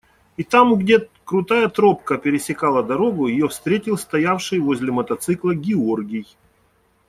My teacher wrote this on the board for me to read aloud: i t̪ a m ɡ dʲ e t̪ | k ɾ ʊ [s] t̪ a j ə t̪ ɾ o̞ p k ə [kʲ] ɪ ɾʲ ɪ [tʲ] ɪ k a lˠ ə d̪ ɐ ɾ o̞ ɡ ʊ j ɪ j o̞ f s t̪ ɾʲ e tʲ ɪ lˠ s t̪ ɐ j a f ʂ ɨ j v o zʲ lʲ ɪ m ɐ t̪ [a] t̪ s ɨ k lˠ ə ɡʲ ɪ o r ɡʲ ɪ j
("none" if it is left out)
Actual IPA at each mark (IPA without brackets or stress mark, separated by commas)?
none, pʲ, sʲ, ɐ